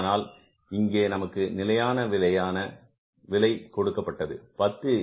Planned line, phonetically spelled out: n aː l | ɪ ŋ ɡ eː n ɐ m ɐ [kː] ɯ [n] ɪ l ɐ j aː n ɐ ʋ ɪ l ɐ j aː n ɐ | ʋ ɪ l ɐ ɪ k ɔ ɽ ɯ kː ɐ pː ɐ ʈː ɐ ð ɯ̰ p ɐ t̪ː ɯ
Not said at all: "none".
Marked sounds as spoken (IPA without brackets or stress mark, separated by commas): kː, n